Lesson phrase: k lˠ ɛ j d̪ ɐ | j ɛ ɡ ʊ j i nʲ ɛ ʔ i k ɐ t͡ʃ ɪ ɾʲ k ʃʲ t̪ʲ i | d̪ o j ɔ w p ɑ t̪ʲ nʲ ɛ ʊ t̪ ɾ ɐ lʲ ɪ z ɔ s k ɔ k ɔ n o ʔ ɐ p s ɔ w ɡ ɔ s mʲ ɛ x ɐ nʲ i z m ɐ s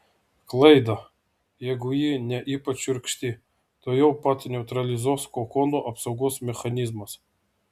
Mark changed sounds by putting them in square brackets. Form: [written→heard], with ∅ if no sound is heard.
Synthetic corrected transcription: k lˠ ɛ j d̪ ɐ | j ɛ ɡ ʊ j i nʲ ɛ ʔ i [k→p] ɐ t͡ʃ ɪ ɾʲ k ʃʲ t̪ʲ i | [d̪→t̪] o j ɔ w p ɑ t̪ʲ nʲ ɛ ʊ t̪ ɾ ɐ lʲ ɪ z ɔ s k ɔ k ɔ n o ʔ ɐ p s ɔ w ɡ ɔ s mʲ ɛ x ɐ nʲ i z m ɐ s